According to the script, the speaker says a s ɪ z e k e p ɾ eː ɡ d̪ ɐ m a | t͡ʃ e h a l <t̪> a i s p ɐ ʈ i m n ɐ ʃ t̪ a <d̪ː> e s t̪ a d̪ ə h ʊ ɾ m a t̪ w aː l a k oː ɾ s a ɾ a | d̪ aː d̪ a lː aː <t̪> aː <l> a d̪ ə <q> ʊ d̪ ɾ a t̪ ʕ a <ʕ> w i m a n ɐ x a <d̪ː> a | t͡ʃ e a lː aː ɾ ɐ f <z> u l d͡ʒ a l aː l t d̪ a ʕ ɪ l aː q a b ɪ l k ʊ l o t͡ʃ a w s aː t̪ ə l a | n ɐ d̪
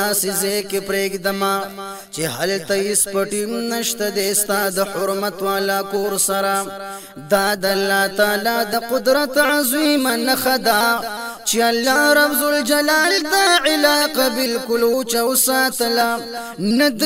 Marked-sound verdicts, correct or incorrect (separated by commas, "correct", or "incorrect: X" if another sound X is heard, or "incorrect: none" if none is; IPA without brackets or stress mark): correct, incorrect: d̪, correct, correct, correct, incorrect: z, incorrect: d̪, correct